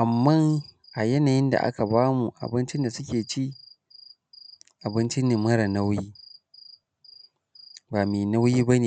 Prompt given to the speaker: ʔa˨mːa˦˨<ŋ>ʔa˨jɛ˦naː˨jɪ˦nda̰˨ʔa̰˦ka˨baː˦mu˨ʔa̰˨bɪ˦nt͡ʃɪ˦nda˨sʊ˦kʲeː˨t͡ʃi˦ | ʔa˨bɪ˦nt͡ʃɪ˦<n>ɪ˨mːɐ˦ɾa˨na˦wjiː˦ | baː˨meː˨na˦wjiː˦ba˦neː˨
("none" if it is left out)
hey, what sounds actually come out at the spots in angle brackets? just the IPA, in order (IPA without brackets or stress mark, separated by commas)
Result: ŋ, n